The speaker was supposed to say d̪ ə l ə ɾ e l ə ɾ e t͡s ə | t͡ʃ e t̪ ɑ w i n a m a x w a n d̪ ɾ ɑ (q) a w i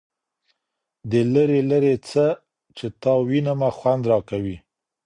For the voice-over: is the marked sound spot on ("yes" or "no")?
no